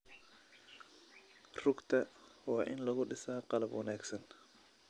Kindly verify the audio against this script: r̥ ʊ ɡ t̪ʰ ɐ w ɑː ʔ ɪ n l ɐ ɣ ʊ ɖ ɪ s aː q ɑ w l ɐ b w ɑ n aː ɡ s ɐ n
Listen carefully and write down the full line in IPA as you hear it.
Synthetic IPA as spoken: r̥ ʊ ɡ t̪ʰ ɐ w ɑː ʔ ɪ n l ɐ ɣ ʊ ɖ ɪ s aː q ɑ l ɐ b w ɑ n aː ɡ s ɐ n